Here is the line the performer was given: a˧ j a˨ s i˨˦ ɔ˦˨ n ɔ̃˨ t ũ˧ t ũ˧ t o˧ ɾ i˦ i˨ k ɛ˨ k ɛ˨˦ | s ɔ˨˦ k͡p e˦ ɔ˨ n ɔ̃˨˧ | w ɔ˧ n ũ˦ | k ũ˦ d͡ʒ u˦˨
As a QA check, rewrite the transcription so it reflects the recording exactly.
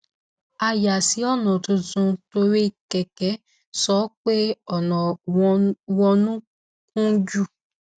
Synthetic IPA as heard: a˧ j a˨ s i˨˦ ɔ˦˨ n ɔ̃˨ t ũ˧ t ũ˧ t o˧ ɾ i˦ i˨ k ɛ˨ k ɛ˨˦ | s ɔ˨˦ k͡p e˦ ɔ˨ n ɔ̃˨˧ | w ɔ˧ n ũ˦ | k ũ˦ d͡ʒ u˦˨